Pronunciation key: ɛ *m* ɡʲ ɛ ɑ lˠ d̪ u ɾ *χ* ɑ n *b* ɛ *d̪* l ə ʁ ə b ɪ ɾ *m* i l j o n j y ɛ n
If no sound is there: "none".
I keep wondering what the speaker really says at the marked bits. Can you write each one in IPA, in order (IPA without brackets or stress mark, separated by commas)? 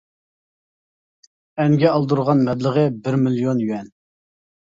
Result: ŋ, ʁ, m, d̪, m